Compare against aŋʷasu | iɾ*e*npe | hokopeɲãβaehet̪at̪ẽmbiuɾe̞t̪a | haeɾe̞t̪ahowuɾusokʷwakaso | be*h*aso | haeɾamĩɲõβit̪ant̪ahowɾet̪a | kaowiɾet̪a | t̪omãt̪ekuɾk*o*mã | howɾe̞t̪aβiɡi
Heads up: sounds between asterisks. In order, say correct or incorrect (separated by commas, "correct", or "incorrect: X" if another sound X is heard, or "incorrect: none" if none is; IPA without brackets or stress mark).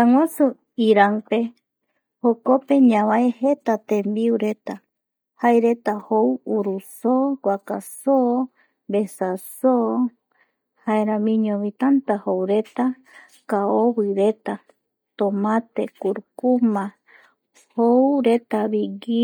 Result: incorrect: a, incorrect: s, incorrect: u